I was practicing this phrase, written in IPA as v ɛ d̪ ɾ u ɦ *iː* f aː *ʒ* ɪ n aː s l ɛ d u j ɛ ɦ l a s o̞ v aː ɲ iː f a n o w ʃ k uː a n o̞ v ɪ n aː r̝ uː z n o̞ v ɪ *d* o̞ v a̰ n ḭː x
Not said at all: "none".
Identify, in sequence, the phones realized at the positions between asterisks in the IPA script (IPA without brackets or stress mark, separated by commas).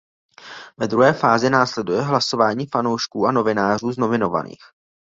ɛː, z, n